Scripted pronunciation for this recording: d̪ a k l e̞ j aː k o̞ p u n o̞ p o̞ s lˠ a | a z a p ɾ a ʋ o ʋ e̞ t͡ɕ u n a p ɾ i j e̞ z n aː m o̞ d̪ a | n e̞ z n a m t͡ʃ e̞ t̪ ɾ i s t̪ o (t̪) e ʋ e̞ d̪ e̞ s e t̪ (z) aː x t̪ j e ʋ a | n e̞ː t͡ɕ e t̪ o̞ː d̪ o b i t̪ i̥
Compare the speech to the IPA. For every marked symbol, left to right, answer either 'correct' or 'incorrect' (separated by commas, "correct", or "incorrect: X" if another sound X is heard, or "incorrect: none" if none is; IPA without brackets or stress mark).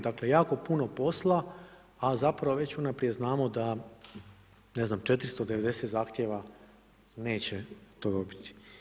incorrect: d̪, correct